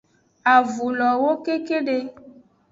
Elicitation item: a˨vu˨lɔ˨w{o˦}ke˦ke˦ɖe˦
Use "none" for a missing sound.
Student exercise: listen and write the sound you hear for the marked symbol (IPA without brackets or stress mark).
o˦